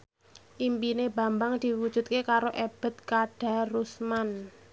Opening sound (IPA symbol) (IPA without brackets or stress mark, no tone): ʔ